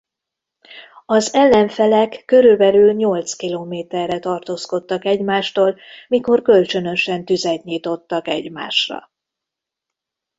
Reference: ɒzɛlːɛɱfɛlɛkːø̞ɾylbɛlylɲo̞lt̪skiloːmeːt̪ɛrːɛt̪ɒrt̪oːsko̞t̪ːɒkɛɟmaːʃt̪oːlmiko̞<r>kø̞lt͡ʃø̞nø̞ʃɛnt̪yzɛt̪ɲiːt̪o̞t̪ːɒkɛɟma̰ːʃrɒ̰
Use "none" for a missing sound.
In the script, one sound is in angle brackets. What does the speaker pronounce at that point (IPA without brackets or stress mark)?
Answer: r